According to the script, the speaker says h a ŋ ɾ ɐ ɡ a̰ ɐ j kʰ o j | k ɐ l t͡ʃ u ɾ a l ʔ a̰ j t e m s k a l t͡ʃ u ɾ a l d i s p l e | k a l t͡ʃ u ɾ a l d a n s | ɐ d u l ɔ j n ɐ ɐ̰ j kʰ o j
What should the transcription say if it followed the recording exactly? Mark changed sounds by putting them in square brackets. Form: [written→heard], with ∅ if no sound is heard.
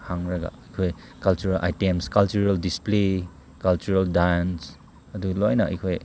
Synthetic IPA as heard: h a ŋ ɾ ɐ ɡ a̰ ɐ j kʰ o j | k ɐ l t͡ʃ u ɾ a l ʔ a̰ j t e m s k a l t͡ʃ u ɾ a l d i s p l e | k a l t͡ʃ u ɾ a l d a n s | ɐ d u l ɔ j n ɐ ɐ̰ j kʰ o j